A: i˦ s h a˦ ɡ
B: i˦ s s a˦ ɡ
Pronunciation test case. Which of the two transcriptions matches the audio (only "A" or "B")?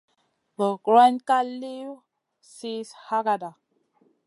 A